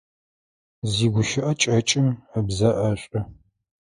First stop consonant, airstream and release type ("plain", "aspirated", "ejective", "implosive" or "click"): plain